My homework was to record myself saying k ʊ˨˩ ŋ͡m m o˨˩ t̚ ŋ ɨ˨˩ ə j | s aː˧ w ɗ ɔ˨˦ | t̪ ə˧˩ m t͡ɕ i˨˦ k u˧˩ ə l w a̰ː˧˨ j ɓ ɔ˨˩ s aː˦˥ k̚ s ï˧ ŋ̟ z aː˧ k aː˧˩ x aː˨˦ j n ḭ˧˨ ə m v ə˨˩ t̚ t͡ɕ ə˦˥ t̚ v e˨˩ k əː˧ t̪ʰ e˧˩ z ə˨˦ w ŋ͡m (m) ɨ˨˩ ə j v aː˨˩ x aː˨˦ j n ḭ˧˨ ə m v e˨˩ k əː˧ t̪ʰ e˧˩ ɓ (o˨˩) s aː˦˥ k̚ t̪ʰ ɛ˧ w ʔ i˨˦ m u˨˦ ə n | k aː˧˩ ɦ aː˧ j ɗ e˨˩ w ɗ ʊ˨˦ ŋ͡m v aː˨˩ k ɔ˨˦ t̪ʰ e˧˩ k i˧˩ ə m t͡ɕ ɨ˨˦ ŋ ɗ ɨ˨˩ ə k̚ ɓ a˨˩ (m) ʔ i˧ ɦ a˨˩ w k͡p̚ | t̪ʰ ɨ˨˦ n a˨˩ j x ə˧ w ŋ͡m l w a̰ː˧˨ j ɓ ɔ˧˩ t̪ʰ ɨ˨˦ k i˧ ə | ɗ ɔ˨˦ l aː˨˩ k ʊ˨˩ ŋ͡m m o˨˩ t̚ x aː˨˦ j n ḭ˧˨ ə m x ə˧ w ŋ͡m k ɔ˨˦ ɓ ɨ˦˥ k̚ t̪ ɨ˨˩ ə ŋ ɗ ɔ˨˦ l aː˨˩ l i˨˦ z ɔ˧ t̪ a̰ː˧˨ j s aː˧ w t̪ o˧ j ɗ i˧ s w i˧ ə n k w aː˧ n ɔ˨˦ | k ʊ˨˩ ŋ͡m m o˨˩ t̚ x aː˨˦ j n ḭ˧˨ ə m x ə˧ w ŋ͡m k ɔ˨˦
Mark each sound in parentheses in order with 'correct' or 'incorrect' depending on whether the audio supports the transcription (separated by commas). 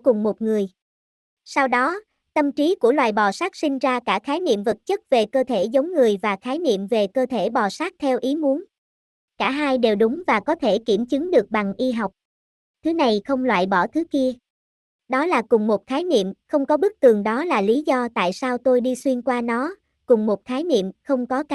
incorrect, incorrect, incorrect